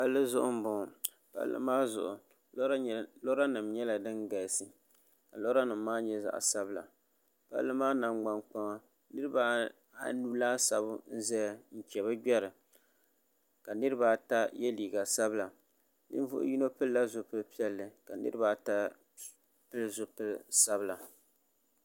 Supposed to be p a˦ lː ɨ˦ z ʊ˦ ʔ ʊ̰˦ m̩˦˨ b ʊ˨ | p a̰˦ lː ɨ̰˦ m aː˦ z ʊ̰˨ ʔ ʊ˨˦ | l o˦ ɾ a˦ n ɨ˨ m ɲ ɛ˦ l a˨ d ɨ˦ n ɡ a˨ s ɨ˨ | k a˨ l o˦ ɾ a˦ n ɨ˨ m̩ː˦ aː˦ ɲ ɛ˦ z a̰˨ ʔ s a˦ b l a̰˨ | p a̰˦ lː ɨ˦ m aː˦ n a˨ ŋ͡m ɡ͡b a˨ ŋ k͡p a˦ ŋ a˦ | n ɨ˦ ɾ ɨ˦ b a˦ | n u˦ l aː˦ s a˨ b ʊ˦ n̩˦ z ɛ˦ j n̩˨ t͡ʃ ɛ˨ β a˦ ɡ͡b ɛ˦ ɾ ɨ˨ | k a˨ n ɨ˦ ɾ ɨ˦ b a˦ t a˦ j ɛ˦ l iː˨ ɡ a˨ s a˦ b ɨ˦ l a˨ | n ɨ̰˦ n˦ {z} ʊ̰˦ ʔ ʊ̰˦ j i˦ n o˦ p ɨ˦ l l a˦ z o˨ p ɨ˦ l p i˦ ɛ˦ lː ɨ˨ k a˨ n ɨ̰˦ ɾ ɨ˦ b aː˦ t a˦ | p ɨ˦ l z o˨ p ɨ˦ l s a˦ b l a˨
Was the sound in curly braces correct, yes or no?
no